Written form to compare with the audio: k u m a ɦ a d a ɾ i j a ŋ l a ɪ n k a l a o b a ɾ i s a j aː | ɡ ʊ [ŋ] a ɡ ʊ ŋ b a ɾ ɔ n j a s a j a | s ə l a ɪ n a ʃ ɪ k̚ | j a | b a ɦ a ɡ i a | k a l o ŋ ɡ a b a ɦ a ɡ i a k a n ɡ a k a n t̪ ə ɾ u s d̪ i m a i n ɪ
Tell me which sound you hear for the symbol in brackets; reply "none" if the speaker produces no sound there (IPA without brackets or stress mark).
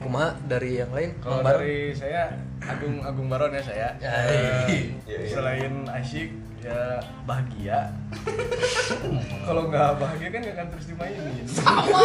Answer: ŋ